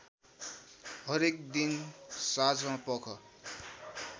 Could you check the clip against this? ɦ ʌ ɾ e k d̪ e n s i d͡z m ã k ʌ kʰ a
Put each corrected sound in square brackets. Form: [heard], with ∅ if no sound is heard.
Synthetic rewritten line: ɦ ʌ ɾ e k d̪ [i] n s [a] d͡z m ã [p] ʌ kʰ [ʌ]